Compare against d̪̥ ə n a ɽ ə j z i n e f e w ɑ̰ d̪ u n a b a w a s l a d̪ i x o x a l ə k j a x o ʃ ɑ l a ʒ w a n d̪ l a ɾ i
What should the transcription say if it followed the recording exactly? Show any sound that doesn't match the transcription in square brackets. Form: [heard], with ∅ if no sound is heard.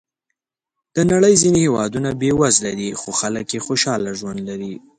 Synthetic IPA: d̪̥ ə n a ɽ ə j z i n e [h] e w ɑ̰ d̪ u n a b [e] w a [z] l a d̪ i x o x a l ə k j [e] x o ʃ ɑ l a ʒ w a n d̪ l a ɾ i